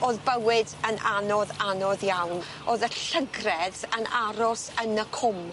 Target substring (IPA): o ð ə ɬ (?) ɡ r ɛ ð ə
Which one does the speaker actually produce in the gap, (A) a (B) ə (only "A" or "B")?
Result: B